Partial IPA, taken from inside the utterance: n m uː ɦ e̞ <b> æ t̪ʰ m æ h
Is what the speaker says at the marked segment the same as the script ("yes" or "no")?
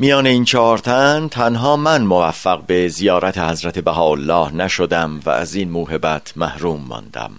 yes